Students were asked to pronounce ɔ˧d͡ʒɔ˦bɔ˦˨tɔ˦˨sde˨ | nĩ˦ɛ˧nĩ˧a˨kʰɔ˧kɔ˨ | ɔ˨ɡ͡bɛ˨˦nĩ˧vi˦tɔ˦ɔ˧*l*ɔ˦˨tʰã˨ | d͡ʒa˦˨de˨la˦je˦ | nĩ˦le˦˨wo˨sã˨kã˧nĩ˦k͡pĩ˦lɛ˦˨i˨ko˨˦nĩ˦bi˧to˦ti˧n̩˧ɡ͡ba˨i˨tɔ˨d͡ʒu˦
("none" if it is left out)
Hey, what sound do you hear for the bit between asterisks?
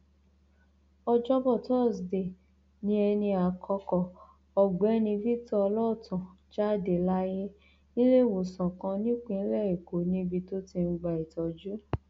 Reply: l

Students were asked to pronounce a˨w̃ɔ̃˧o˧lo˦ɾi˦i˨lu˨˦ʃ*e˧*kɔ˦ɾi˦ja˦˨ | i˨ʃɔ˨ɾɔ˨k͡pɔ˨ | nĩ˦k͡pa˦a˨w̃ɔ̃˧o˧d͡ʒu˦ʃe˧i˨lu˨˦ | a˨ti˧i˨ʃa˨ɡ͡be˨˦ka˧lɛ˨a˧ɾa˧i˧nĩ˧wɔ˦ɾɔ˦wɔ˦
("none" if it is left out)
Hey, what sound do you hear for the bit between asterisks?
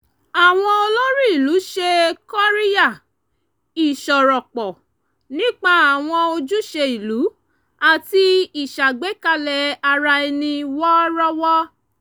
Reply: e˧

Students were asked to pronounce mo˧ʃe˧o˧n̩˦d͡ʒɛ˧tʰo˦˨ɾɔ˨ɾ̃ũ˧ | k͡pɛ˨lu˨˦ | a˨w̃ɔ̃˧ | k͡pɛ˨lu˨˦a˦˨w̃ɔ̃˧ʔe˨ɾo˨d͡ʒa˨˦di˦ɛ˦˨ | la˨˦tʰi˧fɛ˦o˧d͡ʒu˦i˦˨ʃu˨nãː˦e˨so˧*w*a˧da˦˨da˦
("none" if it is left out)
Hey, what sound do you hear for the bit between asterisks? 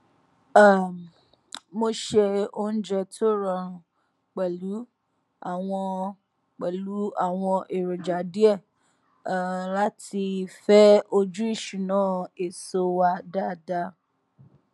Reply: w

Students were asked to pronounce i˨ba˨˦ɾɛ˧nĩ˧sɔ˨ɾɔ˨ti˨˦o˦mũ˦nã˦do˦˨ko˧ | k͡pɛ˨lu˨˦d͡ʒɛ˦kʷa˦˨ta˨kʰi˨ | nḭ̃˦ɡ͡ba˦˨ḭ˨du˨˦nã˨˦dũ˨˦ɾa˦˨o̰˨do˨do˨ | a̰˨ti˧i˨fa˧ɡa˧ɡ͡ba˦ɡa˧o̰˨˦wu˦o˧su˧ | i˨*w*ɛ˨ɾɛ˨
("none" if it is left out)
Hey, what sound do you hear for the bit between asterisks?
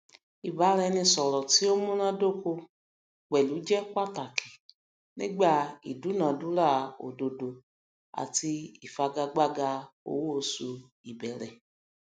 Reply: b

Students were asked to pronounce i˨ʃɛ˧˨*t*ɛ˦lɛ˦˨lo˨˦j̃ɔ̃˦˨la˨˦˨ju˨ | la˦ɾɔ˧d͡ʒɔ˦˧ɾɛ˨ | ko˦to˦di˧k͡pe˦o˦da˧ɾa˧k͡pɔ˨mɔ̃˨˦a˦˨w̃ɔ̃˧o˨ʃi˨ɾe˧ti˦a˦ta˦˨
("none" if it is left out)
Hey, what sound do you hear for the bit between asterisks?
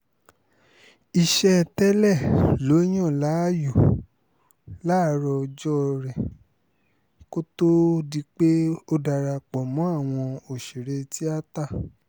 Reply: t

